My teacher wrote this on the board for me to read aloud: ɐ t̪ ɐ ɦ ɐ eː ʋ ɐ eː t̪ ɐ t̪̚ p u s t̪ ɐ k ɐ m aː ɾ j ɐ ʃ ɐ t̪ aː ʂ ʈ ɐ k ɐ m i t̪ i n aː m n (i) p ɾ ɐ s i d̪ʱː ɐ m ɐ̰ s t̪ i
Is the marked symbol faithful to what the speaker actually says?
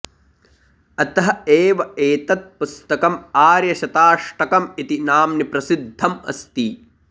yes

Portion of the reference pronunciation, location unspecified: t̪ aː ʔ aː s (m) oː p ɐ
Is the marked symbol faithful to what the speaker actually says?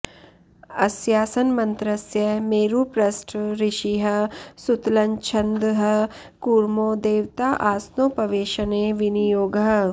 no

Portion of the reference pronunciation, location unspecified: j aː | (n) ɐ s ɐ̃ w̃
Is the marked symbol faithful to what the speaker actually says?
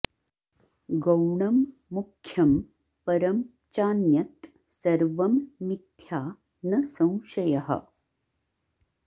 yes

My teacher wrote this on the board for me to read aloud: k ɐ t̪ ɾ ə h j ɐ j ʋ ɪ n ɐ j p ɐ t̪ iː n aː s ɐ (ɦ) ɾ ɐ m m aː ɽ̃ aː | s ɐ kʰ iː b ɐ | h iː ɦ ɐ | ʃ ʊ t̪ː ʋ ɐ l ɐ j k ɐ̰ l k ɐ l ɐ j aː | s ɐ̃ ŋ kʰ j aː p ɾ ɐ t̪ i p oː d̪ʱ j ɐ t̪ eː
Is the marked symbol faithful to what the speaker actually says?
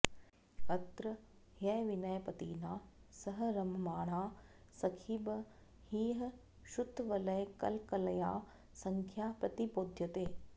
yes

